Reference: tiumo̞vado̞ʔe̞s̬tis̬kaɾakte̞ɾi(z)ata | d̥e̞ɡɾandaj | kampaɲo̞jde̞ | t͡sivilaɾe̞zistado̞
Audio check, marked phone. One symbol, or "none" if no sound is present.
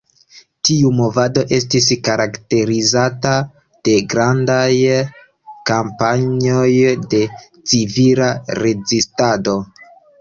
z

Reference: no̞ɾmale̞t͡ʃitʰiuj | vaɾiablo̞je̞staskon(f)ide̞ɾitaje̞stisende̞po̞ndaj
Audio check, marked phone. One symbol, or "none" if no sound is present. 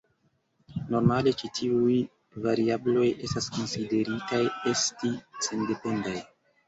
s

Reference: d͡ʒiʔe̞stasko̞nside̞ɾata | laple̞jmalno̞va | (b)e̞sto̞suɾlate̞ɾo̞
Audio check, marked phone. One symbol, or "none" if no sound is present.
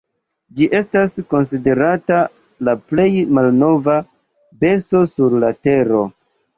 b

